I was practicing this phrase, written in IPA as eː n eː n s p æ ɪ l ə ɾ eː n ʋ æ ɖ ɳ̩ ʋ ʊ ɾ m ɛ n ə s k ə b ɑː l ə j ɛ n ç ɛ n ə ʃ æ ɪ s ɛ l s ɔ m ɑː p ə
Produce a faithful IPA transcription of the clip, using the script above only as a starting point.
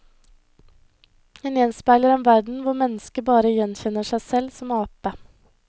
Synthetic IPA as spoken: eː n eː n s p æ ɪ l ə ɾ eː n ʋ æ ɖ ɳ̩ ʋ ʊ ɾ m ɛ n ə s k ə b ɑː ɾ ə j ɛ n ç ɛ n ə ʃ æ ɪ s ɛ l s ɔ m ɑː p ə